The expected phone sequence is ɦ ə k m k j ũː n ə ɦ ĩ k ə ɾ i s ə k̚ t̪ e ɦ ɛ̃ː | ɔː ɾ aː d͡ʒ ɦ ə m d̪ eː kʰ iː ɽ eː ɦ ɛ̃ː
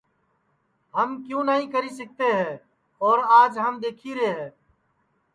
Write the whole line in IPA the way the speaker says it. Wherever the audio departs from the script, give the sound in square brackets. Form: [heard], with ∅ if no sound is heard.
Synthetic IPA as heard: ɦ ə [∅] m k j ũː n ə ɦ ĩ k ə ɾ i s ə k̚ t̪ e ɦ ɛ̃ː | ɔː ɾ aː d͡ʒ ɦ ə m d̪ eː kʰ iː [ɾ] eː ɦ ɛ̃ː